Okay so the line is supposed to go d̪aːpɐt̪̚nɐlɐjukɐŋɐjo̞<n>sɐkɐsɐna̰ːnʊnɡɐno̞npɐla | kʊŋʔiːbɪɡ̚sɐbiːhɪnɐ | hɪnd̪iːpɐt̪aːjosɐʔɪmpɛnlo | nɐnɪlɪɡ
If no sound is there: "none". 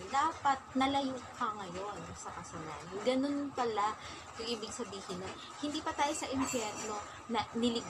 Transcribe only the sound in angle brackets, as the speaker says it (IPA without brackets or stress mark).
n